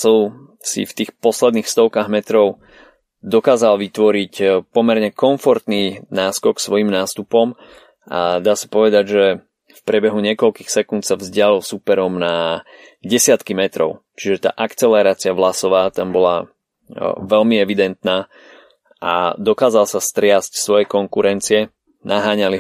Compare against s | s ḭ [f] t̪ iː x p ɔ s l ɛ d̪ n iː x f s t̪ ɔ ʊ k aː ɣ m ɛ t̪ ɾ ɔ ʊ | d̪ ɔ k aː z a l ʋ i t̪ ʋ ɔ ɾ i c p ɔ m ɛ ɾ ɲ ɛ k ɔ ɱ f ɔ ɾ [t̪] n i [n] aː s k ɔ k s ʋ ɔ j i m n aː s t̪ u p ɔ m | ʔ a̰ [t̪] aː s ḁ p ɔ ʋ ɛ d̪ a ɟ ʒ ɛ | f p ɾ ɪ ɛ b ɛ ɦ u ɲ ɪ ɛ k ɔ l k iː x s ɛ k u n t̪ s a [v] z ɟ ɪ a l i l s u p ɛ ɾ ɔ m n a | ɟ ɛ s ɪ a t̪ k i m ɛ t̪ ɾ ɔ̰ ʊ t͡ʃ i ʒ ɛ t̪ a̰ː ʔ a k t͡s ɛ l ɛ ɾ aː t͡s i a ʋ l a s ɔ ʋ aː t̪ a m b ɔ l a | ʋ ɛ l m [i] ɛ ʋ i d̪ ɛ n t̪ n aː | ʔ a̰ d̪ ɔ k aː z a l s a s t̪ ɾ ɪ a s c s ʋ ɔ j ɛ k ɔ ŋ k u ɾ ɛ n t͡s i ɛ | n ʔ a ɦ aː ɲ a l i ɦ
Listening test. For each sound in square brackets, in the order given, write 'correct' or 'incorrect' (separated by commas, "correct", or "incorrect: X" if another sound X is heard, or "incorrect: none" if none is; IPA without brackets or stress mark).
correct, correct, correct, incorrect: d̪, correct, correct